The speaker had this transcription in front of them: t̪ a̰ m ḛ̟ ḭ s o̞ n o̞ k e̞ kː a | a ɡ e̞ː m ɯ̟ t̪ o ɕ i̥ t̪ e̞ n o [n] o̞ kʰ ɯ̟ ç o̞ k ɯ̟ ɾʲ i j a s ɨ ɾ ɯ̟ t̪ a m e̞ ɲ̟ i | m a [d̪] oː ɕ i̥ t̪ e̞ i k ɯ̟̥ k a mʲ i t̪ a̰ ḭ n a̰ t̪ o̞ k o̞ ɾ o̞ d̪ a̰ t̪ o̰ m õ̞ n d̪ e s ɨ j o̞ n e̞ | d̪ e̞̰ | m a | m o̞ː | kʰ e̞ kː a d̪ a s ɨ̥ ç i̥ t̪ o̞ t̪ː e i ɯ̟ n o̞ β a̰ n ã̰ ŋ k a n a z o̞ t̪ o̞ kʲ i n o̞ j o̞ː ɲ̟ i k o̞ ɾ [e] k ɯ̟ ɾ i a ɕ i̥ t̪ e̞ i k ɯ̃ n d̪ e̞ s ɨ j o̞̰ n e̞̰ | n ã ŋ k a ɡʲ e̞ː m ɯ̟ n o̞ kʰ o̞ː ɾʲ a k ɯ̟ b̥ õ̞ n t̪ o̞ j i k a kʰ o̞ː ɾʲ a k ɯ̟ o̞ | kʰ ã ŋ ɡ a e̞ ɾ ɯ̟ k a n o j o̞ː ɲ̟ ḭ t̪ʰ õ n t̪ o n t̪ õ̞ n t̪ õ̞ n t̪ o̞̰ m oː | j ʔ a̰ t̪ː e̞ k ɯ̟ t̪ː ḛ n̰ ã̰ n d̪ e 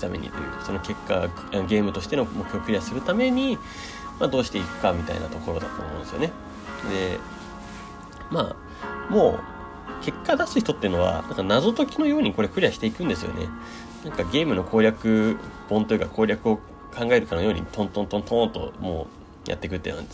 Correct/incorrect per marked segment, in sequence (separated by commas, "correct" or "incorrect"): incorrect, correct, correct